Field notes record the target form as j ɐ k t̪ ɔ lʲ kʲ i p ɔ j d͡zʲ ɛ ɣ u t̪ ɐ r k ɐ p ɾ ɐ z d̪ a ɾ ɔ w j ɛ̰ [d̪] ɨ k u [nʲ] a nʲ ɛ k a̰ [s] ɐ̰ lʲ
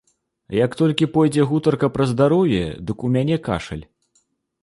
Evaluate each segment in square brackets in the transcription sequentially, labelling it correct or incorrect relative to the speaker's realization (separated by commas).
correct, incorrect, incorrect